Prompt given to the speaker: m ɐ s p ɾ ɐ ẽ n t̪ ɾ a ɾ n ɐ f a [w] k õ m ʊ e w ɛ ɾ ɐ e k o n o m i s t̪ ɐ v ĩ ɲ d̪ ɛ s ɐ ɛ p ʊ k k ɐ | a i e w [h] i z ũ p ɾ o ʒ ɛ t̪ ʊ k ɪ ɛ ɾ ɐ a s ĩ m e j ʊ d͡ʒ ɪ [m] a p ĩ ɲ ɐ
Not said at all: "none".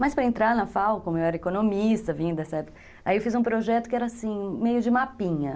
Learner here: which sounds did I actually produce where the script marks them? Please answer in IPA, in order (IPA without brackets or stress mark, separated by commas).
w, f, m